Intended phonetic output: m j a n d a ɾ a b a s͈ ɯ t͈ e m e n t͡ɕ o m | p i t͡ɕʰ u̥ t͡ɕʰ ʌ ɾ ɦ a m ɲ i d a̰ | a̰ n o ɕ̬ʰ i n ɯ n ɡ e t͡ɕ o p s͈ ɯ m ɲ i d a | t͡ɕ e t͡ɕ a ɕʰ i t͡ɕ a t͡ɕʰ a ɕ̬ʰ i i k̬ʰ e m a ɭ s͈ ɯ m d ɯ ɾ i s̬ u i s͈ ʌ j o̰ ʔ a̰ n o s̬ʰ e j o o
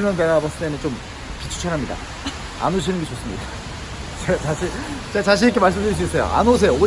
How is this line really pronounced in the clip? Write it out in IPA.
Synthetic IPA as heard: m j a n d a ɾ a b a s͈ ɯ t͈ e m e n t͡ɕ o m | p i t͡ɕʰ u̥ t͡ɕʰ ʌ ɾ ɦ a m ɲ i d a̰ | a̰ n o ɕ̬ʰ i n ɯ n ɡ e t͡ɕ o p s͈ ɯ m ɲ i d a | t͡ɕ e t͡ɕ a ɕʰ i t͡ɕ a t͡ɕ a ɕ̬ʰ i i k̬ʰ e m a ɭ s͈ ɯ m d ɯ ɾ i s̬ u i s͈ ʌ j o̰ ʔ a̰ n o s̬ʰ e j o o